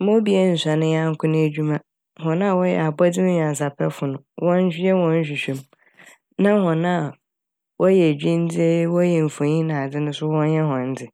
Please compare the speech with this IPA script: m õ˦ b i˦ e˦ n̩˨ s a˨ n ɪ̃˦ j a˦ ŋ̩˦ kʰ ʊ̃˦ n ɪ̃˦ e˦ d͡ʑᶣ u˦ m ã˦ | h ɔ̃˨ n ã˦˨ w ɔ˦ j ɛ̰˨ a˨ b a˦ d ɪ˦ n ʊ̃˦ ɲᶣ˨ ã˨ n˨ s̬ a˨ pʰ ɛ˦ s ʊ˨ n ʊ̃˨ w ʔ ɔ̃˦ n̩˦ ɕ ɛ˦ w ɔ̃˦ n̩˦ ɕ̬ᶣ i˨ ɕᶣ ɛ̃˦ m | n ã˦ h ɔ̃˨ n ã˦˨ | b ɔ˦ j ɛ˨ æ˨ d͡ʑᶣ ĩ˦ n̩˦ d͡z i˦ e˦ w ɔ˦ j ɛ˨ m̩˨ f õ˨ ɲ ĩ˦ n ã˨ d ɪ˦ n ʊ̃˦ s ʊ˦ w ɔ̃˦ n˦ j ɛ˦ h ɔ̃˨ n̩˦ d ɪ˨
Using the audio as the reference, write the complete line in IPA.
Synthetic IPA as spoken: m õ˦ b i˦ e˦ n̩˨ s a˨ n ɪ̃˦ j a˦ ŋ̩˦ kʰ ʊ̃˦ n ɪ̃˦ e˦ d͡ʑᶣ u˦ m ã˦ | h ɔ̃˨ n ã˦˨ w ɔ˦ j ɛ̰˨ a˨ b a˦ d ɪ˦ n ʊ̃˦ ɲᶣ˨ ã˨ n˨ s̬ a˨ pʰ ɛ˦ f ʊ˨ n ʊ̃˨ w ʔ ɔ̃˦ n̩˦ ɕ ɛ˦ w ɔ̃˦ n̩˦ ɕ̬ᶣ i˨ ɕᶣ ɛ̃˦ m | n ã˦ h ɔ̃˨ n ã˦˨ | w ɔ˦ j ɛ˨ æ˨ d͡ʑᶣ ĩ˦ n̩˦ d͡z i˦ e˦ w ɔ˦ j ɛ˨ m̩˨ f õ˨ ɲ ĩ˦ n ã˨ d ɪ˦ n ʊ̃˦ s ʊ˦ w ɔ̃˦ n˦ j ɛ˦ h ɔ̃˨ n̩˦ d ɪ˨